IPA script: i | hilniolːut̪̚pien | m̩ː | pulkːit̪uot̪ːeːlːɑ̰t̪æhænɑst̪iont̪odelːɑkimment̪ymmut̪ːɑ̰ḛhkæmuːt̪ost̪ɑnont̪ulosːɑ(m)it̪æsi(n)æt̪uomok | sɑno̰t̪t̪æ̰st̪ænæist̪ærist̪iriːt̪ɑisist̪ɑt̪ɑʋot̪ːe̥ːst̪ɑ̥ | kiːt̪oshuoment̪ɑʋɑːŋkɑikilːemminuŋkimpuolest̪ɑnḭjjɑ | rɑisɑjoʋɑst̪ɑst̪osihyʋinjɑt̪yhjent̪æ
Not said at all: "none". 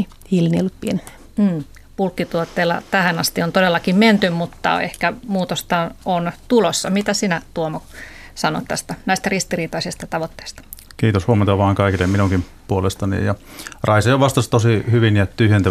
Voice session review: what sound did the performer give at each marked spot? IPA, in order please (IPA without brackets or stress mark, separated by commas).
m, n